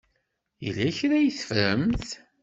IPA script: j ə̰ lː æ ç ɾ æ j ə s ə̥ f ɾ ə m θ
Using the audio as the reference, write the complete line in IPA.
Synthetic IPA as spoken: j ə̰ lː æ ç ɾ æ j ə θ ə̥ f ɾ ə m θ